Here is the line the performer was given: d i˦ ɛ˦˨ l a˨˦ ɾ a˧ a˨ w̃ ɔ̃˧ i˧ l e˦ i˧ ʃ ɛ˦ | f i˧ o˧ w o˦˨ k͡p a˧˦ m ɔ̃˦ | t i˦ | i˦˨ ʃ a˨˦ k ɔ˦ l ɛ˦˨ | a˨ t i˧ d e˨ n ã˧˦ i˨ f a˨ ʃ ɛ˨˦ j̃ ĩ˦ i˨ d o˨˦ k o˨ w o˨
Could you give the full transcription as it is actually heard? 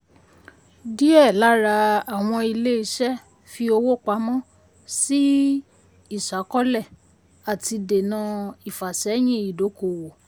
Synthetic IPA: d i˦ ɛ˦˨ l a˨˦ ɾ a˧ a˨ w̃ ɔ̃˧ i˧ l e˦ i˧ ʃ ɛ˦ | f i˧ o˧ w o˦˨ k͡p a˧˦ m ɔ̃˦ | s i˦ | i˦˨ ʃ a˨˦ k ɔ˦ l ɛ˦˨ | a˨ t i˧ d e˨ n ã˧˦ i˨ f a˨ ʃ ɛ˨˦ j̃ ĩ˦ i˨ d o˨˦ k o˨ w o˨